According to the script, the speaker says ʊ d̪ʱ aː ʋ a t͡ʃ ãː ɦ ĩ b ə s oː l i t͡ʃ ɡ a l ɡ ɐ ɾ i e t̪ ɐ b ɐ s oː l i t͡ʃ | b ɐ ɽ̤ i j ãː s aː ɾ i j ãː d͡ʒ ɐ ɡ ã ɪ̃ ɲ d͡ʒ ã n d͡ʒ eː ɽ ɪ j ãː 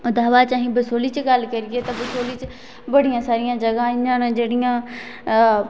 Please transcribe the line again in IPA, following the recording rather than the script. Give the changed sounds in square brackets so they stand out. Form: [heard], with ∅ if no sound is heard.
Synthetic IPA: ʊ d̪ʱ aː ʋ a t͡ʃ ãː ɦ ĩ b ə s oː l i t͡ʃ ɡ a l [k] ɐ ɾ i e t̪ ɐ b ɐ s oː l i t͡ʃ | b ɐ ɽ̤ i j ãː s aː ɾ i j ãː d͡ʒ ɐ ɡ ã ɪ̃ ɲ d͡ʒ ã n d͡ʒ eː ɽ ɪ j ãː